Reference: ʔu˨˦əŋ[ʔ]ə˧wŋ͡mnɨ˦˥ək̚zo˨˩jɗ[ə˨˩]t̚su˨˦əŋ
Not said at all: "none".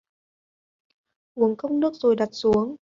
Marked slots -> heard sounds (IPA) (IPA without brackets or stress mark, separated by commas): k, a˨˩